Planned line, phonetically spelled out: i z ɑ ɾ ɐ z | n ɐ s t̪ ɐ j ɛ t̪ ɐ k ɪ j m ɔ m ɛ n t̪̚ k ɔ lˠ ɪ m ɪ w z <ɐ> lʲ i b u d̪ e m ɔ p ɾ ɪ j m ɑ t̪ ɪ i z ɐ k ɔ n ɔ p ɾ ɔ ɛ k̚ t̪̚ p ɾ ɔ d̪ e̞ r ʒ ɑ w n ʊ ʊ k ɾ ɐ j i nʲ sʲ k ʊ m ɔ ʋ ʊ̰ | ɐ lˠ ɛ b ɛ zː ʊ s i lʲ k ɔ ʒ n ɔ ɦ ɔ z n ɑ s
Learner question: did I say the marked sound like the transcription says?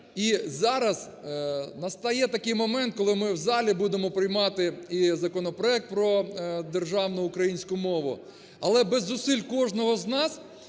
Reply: no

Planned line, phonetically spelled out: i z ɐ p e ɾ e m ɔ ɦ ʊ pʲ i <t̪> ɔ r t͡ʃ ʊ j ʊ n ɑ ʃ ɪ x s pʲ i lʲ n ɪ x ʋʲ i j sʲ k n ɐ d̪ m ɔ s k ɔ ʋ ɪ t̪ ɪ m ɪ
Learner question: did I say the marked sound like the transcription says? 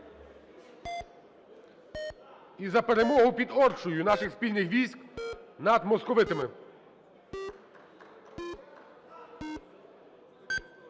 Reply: no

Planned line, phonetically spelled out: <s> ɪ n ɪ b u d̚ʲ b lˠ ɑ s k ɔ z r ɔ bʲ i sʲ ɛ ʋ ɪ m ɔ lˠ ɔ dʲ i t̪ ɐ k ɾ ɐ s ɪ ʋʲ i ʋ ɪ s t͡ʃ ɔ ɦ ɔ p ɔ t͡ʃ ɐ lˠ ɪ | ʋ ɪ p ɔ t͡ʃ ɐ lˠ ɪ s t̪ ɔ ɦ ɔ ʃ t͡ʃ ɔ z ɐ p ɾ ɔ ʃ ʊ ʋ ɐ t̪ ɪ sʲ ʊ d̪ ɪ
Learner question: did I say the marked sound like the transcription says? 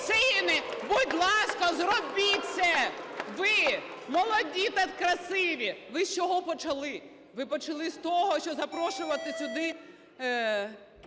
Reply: yes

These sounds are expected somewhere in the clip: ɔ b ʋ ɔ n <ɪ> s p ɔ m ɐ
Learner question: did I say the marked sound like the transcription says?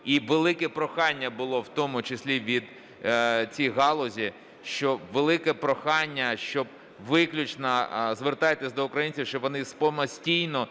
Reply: yes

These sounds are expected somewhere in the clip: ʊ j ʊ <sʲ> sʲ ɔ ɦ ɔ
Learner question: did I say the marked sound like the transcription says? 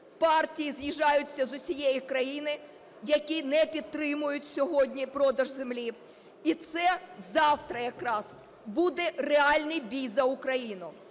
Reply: no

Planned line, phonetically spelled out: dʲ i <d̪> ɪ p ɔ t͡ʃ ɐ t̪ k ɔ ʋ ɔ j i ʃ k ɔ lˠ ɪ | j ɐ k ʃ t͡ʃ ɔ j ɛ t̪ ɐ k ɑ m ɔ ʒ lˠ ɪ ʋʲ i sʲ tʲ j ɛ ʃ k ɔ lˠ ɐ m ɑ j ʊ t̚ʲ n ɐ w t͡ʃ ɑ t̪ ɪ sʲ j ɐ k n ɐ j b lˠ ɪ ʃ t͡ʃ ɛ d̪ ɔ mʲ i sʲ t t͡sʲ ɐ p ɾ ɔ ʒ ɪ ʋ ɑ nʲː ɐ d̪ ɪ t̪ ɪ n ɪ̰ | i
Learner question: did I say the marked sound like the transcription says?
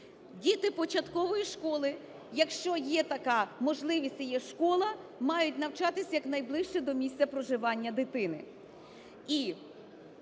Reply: no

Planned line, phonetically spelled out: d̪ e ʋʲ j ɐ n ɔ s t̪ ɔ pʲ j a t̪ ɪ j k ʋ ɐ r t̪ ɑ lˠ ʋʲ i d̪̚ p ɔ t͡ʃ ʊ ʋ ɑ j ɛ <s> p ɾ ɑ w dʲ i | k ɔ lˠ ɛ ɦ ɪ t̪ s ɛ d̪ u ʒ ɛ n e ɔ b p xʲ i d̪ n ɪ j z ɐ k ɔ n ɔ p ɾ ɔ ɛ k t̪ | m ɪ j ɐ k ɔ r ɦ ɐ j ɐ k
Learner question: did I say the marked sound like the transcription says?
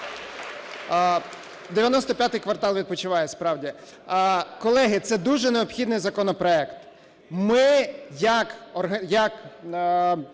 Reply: yes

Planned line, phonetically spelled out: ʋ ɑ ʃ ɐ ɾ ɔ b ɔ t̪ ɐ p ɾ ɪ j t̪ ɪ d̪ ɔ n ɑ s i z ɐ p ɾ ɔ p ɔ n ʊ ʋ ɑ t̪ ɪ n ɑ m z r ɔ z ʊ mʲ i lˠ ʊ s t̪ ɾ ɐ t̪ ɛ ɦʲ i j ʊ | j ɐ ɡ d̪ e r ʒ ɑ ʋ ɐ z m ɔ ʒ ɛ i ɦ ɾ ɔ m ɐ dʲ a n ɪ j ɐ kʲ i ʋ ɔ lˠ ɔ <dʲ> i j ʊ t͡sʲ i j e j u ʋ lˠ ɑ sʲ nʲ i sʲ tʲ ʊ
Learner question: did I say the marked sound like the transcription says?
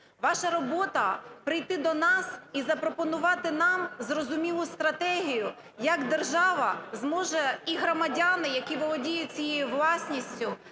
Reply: yes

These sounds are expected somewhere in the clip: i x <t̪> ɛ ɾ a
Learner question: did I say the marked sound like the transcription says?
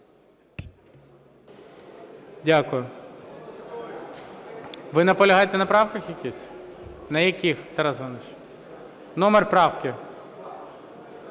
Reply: yes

